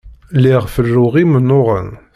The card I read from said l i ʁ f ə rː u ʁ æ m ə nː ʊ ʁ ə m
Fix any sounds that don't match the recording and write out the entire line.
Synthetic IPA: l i ʁ f ə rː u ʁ i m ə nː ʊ ʁ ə n